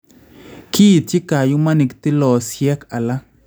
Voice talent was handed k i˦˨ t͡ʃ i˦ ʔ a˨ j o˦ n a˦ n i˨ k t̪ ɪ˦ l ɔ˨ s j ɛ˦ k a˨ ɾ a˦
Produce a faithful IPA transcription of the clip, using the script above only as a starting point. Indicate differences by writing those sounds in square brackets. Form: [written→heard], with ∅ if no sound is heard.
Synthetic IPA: k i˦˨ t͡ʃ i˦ [ʔ→k] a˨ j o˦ [n→m] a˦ n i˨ k t̪ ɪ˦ l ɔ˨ s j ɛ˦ k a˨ [ɾ→l] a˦